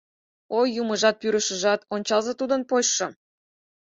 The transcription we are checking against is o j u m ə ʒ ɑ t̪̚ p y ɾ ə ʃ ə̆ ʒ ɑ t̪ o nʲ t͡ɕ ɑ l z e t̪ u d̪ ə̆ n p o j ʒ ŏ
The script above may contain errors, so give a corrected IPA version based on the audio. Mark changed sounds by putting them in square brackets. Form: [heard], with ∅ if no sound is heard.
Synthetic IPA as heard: o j u m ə ʒ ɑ t̪̚ p y ɾ ə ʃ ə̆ ʒ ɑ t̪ o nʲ t͡ɕ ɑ l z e t̪ u d̪ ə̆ n p o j [ʃ] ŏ